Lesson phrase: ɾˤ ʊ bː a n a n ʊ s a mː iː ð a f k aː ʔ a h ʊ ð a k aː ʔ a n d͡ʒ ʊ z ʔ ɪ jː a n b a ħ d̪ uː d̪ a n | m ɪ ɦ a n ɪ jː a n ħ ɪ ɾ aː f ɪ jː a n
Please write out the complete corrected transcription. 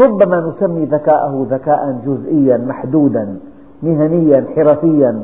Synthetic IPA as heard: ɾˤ ʊ bː a m a n ʊ s a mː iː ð a k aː ʔ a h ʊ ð a k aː ʔ a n d͡ʒ ʊ z ʔ ɪ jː a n m a ħ d̪ uː d̪ a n | m ɪ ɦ a n ɪ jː a n ħ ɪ ɾ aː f ɪ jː a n